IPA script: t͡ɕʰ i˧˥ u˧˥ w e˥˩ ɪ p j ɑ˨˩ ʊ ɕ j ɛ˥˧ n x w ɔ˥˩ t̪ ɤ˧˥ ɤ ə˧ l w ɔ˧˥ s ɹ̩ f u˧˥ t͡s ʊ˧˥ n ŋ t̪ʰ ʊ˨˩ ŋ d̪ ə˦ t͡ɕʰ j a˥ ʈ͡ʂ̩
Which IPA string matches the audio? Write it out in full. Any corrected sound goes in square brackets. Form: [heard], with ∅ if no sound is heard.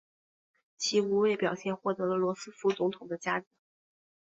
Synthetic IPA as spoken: t͡ɕʰ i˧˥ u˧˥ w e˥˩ ɪ p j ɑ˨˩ ʊ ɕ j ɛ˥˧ n x w ɔ˥˩ t̪ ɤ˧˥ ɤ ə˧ l w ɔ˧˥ s ɹ̩ f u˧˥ t͡s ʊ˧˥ [∅] ŋ t̪ʰ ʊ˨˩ ŋ d̪ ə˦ [t͡ɕ] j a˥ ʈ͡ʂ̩